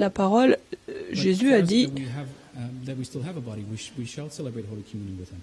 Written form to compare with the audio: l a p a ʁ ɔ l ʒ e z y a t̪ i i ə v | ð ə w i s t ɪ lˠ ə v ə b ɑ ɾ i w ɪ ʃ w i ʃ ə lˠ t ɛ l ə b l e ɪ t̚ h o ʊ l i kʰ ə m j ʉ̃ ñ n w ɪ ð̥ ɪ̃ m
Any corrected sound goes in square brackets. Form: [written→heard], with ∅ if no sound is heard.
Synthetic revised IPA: l a p a ʁ ɔ l ʒ e z y a [t̪→d̪] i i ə v | ð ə w i s t ɪ lˠ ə v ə b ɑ ɾ i w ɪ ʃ w i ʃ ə lˠ [t→s] ɛ l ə b [l→ɹ] e ɪ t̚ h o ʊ l i kʰ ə m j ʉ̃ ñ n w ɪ ð̥ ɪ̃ m